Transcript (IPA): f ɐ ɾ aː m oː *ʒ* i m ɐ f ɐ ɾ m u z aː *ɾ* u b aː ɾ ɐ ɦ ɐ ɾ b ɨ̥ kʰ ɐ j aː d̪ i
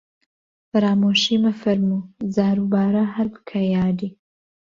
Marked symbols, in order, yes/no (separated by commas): no, yes